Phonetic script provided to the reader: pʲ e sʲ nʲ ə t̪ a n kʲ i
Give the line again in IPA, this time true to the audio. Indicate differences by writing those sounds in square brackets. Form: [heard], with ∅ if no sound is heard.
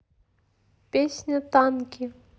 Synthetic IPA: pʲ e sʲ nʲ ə t̪ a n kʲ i